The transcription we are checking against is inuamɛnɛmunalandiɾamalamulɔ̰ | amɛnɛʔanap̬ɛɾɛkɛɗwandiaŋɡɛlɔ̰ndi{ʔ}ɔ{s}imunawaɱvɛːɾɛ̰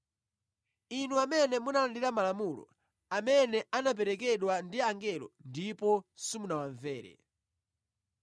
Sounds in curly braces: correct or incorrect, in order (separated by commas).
incorrect, correct